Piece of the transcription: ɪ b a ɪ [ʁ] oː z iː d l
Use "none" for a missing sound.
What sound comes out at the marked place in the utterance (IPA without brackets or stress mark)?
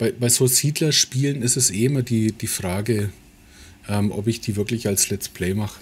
z